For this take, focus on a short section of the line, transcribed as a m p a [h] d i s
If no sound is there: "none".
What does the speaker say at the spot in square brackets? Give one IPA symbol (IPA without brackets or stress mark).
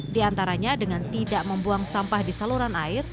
h